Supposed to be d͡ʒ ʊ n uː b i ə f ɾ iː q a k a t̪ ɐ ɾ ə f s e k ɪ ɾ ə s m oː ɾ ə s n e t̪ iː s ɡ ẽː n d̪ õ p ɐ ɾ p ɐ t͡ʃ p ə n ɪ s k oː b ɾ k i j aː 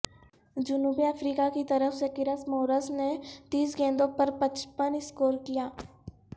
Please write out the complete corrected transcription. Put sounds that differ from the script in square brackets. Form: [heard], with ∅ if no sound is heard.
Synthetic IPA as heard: d͡ʒ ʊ n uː b i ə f ɾ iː [k] a k [i] t̪ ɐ ɾ ə f s e k ɪ ɾ ə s m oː ɾ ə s n e t̪ iː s ɡ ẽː n d̪ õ p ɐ ɾ p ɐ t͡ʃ p ə n ɪ s k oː [∅] ɾ k i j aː